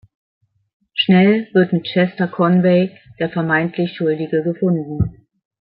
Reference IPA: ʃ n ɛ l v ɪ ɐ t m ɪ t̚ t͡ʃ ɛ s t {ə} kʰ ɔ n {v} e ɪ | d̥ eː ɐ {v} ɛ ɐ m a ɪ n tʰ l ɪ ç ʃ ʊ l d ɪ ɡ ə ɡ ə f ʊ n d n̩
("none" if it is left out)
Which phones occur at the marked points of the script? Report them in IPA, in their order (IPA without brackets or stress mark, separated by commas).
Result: ɐ, v, f